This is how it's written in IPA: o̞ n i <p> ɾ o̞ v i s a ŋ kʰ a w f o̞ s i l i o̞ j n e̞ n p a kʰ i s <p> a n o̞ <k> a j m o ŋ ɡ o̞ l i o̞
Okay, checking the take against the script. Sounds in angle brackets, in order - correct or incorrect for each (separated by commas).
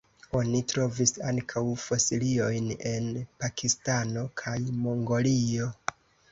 incorrect, incorrect, incorrect